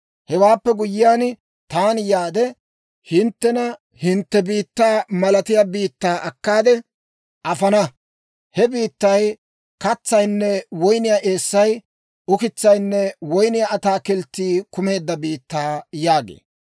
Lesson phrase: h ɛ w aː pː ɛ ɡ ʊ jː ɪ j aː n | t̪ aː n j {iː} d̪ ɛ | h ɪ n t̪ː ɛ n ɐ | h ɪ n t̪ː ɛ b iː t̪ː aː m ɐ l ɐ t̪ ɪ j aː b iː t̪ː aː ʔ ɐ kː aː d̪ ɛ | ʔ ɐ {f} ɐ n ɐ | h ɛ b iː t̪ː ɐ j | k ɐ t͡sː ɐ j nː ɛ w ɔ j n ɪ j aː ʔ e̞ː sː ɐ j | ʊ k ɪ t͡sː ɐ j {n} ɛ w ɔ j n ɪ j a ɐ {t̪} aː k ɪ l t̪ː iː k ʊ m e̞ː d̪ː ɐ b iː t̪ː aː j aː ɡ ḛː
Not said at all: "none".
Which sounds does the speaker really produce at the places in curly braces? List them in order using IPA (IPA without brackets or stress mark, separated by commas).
aː, f, nː, t̪